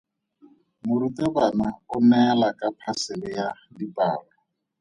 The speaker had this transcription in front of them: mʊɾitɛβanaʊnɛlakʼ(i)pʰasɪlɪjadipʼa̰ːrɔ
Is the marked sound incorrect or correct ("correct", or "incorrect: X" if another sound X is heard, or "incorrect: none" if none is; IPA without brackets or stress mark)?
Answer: incorrect: a